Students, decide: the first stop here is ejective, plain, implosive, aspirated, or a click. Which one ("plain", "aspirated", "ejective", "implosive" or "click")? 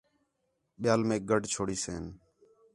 implosive